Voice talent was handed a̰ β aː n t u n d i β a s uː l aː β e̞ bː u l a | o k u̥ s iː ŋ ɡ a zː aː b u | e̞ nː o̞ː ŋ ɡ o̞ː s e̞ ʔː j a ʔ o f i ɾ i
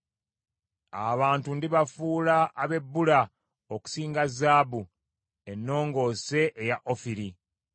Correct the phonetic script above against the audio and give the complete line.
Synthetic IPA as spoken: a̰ β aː n t u n d i β a f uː l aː β e̞ bː u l a | o k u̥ s iː ŋ ɡ a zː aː b u | e̞ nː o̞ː ŋ ɡ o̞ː s e̞ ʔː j a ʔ o f i ɾ i

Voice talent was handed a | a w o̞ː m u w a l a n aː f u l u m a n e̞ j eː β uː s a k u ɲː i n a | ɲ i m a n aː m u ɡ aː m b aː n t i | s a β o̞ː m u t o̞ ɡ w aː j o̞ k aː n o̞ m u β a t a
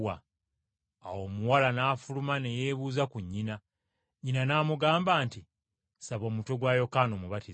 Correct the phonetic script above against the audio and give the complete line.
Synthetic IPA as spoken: a | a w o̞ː m u w a l a n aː f u l u m a n e̞ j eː β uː z a k u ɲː i n a | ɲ i n a n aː m u ɡ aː m b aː n t i | s a β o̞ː m u t o̞ ɡ w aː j o̞ k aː n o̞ m u β a t i

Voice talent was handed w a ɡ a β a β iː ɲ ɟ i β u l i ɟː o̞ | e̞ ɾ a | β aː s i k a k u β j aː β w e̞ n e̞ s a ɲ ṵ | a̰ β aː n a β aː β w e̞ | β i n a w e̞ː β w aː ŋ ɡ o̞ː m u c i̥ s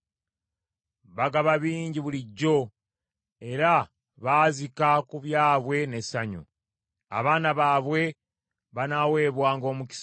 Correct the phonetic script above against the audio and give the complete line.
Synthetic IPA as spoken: β a ɡ a β a β iː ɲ ɟ i β u l i ɟː o̞ | e̞ ɾ a | β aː z i k a k u β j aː β w e̞ n e̞ s a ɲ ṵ | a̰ β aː n a β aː β w e̞ | β a n a w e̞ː β w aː ŋ ɡ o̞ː m u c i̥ s

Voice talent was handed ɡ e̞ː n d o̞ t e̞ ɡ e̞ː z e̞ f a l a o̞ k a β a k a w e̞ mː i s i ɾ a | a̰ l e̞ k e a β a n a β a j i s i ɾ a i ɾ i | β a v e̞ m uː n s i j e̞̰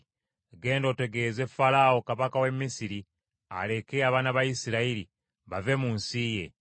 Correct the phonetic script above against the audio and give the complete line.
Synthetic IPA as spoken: ɡ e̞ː n d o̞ t e̞ ɡ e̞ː z e̞ f a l a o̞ k a β a k a w e̞ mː i s i ɾ i | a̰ l e̞ k e a β a n a β a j i s i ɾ a i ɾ i | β a v e̞ m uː n s i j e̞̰

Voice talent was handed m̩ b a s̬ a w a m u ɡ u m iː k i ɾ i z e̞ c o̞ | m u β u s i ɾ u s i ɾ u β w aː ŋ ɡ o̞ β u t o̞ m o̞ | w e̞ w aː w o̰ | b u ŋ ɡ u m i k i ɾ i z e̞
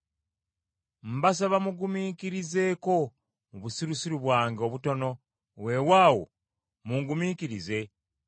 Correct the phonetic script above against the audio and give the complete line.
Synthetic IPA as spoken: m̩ b a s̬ a β a m u ɡ u m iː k i ɾ i z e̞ k o̞ | m u β u s i ɾ u s i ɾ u β w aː ŋ ɡ o̞ β u t o̞ n o̞ | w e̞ w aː w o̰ | m u ŋ ɡ u m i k i ɾ i z e̞

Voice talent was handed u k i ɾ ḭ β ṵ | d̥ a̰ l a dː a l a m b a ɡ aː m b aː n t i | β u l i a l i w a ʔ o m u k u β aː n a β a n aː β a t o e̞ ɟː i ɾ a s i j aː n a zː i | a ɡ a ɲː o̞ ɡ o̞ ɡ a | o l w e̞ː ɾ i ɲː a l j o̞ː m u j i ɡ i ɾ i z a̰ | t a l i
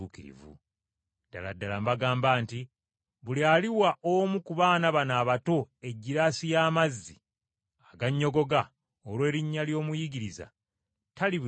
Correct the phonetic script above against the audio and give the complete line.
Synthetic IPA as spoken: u k i ɾ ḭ v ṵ | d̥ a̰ l a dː a l a m b a ɡ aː m b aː n t i | β u l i a l i w a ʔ o m u k u β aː n a β a n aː β a t o e̞ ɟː i ɾ a s i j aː m a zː i | a ɡ a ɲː o̞ ɡ o̞ ɡ a | o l w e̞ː ɾ i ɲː a l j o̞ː m u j i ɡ i ɾ i z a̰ | t a l i

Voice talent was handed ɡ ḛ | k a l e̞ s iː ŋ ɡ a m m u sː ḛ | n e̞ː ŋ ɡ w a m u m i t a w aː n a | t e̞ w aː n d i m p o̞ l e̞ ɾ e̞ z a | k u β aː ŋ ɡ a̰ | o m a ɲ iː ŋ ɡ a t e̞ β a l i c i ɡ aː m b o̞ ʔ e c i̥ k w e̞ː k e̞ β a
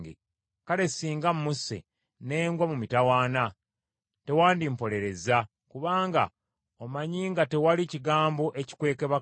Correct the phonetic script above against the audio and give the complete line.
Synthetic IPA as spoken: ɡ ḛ | k a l e̞ s iː ŋ ɡ a m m u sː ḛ | n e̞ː ŋ ɡ w a m u m i t a w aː n a | t e̞ w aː n d i m p o̞ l e̞ ɾ e̞ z a | k u β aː ŋ ɡ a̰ | o m a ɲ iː ŋ ɡ a t e̞ w a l i c i ɡ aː m b o̞ ʔ e c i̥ k w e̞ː k e̞ β a

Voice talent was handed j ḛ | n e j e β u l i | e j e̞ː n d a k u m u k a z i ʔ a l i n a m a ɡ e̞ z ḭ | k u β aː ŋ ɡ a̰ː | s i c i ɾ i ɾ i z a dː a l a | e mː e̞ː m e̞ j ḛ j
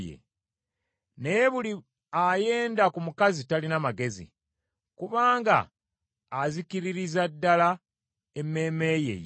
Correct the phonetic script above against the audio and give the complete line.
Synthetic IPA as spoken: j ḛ | n e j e β u l i | a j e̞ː n d a k u m u k a z i t a l i n a m a ɡ e̞ z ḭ | k u β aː ŋ ɡ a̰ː | z i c i ɾ i ɾ i z a dː a l a | e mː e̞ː m e̞ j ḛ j

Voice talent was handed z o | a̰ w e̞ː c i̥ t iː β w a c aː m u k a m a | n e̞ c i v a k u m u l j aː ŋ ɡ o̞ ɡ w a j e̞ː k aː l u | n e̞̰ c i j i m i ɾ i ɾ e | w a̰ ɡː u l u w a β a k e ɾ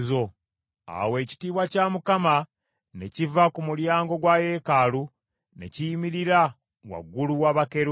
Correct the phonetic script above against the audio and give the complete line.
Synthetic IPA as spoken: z o | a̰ w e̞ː c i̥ t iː β w a c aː m u k a m a | n e̞ c i v a k u m u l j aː ŋ ɡ o̞ ɡ w a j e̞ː k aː l u | n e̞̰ c i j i m i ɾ i ɾ a | w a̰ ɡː u l u w a β a k e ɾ

